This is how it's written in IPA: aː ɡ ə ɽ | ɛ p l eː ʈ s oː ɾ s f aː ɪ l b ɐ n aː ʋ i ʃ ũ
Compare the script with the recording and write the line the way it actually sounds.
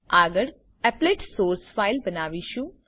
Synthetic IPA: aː ɡ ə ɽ | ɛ p l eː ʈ s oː ɾ s f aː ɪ l b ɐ n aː ʋ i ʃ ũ